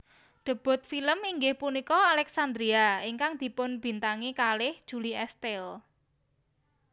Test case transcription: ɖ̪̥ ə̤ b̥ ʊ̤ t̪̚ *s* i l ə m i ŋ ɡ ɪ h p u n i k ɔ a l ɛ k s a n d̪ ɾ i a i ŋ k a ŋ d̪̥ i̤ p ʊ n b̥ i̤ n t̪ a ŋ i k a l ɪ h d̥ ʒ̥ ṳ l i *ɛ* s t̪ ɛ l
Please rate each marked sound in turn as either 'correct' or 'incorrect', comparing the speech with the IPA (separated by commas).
incorrect, correct